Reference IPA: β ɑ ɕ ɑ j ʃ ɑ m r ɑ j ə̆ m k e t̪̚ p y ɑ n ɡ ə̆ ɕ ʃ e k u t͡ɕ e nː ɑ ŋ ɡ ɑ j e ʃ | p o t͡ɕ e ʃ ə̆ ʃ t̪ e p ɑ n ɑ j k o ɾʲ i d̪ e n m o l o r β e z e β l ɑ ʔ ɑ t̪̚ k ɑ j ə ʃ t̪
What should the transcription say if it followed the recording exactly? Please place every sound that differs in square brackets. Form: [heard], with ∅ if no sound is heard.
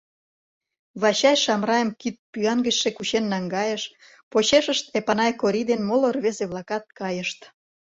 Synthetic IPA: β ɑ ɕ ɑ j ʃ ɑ m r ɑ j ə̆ m k [i] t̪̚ p y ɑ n ɡ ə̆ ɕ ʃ e k u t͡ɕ e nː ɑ ŋ ɡ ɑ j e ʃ | p o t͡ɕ e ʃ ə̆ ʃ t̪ e p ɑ n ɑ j k o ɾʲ i d̪ e n m o l o r β e z e β l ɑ [k] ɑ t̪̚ k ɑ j ə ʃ t̪